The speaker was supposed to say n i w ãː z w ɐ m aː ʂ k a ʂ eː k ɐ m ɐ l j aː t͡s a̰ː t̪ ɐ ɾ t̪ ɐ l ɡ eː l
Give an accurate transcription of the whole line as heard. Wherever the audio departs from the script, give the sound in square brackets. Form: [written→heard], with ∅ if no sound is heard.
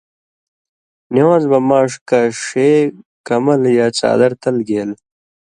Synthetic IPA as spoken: n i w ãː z [w→b] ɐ m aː ʂ k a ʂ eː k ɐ m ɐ l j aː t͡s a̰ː [t̪→d̪] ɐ ɾ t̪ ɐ l ɡ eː l